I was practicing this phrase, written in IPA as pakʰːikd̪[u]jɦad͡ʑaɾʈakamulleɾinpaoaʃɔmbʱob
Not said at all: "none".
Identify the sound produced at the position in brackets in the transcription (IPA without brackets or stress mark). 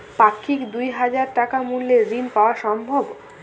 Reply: u